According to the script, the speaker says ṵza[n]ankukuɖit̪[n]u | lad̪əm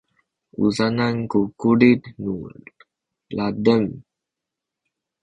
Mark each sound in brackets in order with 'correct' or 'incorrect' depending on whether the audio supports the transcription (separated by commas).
correct, correct